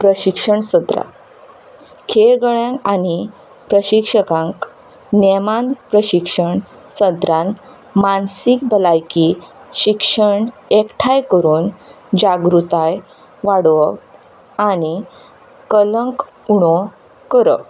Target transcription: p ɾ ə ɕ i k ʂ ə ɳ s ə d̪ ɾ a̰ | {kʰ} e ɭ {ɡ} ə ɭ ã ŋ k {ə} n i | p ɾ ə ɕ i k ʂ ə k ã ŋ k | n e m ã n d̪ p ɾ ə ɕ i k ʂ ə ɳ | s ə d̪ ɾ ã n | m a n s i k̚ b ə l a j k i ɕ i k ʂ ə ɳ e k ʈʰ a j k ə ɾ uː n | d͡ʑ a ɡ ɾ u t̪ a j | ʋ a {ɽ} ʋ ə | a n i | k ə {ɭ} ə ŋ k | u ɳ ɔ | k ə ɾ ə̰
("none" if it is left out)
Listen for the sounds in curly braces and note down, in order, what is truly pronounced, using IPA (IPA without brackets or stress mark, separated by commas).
kʰ, ɡ, a, ɽ, l